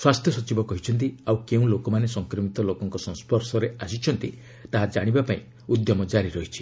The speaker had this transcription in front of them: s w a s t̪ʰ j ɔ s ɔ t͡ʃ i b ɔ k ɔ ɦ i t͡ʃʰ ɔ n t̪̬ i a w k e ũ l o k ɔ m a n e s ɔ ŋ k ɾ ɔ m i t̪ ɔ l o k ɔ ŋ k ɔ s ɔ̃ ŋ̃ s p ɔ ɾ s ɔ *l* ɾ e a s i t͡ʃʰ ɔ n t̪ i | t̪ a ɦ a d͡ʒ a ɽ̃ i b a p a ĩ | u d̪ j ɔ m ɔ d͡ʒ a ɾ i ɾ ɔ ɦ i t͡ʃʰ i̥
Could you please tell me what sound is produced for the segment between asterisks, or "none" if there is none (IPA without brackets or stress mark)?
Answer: none